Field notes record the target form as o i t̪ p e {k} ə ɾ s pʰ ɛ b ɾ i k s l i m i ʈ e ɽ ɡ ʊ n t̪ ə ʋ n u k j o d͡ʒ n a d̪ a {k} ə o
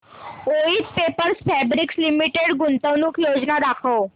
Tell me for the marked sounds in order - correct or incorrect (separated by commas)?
incorrect, incorrect